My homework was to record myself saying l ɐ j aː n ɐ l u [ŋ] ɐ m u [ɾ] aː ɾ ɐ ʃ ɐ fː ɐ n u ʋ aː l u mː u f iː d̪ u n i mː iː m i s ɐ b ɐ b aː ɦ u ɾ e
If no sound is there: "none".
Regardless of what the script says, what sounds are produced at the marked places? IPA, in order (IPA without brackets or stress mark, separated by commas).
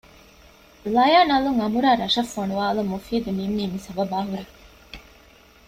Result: ŋ, ɾ